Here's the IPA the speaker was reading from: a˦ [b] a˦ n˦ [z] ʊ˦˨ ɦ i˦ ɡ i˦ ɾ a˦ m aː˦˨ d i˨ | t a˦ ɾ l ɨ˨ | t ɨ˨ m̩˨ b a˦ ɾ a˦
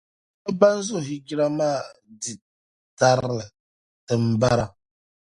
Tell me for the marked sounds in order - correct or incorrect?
correct, correct

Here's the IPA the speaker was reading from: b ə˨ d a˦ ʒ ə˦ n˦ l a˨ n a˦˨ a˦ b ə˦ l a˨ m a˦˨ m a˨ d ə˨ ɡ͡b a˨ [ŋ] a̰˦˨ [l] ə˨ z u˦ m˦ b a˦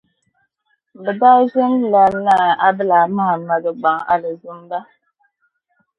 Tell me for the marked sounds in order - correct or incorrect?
correct, correct

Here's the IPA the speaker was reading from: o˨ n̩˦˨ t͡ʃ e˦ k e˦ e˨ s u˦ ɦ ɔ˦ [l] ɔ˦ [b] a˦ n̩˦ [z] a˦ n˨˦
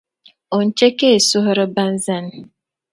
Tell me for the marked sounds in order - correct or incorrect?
incorrect, correct, correct

